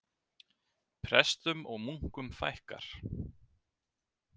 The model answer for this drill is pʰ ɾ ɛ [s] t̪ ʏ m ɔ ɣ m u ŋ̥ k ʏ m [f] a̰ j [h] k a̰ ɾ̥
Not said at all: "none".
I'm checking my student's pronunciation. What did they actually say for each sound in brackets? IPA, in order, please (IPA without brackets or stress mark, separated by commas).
s, f, h